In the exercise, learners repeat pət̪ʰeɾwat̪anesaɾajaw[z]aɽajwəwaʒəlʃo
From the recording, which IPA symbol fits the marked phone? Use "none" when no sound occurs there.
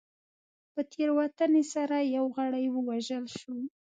ɣ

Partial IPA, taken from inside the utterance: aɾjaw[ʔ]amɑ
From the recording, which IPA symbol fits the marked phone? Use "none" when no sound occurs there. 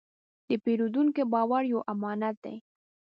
ʔ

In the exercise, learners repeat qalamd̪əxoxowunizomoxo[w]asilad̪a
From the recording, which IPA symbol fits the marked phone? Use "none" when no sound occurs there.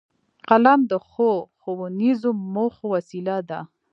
w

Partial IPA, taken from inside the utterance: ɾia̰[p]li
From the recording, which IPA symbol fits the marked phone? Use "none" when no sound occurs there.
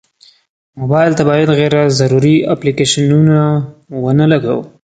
p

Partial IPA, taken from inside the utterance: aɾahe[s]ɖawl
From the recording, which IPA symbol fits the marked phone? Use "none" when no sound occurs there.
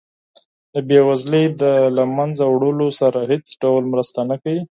t͡s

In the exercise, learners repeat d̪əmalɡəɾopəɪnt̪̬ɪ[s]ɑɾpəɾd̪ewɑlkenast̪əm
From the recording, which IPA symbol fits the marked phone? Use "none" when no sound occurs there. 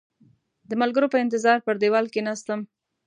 z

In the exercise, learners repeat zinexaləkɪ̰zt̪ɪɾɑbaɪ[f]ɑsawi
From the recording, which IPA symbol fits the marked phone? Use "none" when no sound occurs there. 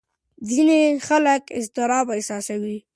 s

